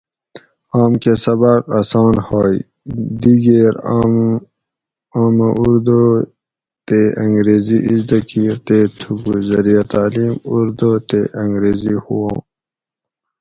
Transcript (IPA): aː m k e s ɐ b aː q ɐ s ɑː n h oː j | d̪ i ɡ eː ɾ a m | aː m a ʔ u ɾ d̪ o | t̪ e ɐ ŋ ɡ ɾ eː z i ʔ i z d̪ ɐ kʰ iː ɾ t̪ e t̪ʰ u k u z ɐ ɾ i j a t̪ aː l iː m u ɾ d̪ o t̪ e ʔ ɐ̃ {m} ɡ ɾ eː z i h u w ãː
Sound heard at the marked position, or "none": ŋ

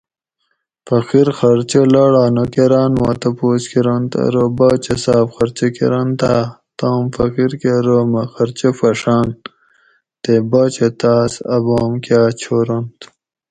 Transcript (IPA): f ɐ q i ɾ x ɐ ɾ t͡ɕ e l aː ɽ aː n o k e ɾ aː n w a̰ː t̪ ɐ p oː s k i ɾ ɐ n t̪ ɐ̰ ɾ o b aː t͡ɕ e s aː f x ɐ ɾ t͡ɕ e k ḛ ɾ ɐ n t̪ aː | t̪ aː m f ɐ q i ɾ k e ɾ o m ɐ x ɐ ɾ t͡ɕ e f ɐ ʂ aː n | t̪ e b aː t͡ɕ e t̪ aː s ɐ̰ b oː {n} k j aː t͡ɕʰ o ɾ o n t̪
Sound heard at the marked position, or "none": m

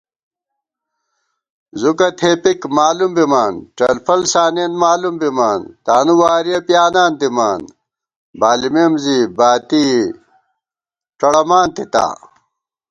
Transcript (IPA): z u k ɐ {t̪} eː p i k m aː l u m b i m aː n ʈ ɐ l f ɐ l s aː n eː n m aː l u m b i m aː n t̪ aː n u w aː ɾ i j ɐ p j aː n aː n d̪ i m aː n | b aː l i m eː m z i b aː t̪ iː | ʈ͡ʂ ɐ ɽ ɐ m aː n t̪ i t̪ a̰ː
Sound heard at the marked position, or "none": t̪ʰ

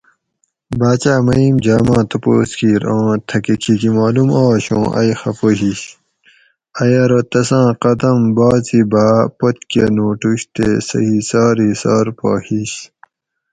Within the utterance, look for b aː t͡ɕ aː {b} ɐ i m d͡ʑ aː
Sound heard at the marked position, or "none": m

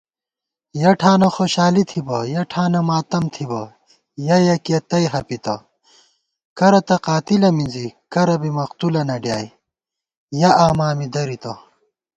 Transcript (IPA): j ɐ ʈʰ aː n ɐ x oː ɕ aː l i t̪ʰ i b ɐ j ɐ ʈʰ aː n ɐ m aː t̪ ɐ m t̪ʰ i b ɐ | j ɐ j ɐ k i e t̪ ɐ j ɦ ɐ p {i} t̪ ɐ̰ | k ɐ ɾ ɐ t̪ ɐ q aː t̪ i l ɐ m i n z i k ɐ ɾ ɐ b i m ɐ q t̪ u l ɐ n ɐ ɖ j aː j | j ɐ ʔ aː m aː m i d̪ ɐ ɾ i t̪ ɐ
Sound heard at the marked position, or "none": i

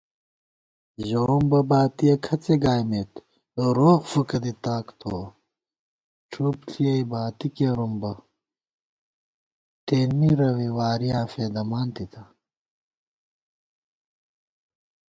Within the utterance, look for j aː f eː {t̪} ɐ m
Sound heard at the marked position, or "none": d̪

